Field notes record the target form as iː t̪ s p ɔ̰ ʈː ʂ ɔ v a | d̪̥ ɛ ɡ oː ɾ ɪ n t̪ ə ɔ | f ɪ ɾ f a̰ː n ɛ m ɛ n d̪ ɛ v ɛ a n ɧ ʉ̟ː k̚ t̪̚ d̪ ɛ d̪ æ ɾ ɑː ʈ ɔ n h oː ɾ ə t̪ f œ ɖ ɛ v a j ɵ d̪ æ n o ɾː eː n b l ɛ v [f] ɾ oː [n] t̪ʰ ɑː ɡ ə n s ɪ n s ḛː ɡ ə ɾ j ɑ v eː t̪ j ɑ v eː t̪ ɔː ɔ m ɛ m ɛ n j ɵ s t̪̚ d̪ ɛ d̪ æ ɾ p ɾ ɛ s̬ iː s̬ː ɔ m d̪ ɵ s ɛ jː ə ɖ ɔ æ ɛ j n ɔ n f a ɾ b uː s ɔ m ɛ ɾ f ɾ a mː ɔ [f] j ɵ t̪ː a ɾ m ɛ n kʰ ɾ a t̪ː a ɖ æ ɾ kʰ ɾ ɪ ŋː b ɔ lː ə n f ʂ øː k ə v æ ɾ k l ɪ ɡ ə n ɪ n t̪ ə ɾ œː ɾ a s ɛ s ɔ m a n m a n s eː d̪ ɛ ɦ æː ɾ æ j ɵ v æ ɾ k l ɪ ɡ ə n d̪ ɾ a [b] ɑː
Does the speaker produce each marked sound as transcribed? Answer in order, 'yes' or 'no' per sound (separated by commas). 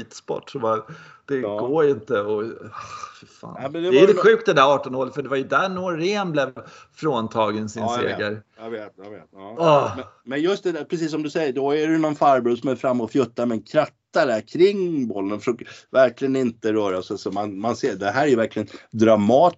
yes, yes, yes, no